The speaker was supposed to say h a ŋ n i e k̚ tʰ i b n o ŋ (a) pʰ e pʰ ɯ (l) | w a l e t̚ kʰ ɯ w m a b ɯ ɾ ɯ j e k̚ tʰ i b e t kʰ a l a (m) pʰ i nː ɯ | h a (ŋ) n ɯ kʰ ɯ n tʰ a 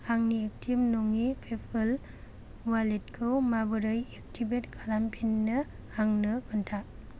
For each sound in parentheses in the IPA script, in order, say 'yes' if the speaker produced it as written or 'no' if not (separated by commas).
no, yes, yes, yes